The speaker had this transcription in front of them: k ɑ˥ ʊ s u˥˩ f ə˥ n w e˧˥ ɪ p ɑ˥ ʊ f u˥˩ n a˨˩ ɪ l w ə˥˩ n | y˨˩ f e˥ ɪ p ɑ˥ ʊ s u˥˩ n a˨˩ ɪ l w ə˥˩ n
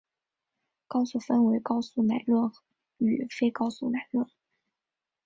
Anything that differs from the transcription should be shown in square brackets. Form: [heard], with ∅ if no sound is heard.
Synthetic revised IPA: k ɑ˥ ʊ s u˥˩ f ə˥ n w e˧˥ ɪ [k] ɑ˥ ʊ [s] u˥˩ n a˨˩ ɪ l w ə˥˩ n | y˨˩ f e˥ ɪ [k] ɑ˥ ʊ s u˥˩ n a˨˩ ɪ l w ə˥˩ n